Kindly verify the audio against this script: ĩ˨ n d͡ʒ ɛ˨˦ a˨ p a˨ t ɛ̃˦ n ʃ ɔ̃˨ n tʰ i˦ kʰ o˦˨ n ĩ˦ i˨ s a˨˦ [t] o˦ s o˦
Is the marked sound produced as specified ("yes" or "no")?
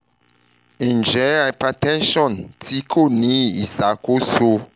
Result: no